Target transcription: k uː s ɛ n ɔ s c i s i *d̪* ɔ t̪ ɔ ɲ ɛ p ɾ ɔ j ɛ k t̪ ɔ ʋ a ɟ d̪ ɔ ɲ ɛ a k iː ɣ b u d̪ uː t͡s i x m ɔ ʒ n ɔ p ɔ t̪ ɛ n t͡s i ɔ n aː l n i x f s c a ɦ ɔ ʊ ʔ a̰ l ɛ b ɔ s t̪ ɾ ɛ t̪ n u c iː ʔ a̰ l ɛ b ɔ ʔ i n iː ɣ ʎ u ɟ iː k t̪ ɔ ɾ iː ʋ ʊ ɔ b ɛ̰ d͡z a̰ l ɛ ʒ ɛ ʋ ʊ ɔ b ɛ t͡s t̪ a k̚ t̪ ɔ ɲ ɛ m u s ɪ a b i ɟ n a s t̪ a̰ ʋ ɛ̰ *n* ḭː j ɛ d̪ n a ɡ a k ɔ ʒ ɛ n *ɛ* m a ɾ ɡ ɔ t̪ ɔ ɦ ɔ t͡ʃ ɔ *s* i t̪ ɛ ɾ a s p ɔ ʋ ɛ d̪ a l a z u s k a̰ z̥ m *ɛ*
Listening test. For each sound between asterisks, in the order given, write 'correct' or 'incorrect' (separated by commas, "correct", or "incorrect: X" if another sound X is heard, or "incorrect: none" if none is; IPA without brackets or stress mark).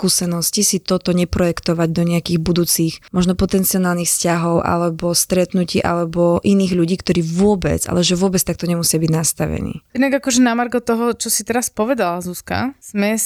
incorrect: t̪, correct, incorrect: a, correct, correct